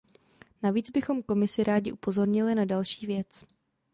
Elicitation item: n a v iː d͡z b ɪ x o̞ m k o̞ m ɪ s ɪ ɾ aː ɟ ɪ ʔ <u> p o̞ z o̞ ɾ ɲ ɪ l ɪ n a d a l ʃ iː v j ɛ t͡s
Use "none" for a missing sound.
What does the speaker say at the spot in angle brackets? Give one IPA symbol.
u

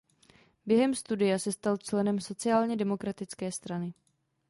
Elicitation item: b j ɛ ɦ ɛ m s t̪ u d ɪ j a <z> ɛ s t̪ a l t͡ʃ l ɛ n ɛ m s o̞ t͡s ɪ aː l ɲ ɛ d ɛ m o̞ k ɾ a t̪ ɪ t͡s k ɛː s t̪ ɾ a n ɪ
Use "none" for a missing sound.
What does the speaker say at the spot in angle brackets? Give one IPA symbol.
s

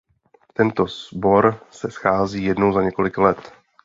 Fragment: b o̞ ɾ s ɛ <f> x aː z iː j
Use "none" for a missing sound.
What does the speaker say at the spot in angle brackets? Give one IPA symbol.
s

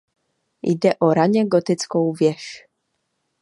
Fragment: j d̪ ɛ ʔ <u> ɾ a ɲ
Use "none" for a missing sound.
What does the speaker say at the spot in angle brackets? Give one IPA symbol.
ɔ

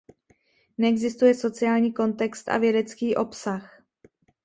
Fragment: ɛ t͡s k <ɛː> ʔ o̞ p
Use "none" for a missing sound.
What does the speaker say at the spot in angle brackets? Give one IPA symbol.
iː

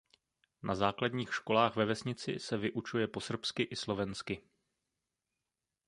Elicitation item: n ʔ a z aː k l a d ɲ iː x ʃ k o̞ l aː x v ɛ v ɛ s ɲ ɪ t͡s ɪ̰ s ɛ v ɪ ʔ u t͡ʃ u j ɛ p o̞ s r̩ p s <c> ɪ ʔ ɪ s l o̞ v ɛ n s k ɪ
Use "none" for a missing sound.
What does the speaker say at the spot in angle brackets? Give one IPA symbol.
k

